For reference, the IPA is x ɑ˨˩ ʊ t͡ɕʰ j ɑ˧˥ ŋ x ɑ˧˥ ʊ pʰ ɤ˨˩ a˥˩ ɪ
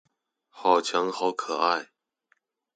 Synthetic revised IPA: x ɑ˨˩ ʊ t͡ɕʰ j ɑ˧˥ ŋ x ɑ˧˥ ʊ kʰ ɤ˨˩ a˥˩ ɪ